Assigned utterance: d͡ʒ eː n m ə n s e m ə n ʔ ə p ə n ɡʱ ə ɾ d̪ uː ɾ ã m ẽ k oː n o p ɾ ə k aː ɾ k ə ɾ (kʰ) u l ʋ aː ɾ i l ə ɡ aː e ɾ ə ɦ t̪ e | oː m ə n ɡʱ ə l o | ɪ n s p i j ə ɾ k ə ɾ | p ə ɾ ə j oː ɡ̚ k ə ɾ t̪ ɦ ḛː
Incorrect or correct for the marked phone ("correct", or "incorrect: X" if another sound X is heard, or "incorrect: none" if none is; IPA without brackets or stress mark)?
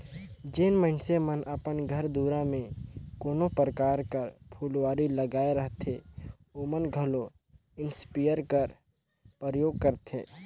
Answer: incorrect: pʰ